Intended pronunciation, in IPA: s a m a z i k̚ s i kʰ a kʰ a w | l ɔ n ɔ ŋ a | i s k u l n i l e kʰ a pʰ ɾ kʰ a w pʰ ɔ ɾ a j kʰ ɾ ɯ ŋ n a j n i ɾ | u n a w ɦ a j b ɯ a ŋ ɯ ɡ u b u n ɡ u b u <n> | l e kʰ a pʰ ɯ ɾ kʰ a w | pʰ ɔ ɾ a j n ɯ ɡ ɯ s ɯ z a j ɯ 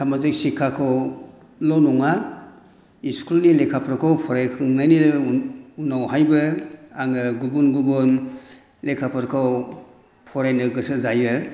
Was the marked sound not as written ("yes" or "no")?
no